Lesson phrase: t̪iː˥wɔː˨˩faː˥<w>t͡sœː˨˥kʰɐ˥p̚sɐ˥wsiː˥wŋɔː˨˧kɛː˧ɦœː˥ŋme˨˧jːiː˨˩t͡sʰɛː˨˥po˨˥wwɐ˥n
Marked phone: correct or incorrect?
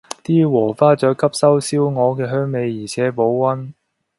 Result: incorrect